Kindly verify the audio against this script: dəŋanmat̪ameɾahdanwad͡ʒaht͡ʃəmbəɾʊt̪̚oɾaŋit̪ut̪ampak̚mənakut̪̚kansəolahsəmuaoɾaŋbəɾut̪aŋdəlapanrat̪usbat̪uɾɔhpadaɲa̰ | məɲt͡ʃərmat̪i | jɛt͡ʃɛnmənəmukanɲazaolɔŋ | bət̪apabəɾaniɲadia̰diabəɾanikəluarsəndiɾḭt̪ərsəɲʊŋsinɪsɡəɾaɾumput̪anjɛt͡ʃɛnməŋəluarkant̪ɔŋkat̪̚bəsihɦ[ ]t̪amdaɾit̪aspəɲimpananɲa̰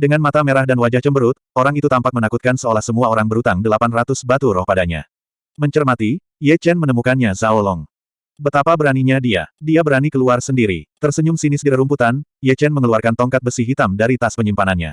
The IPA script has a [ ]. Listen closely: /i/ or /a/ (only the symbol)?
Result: i